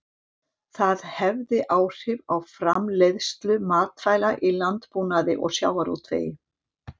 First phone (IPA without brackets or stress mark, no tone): θ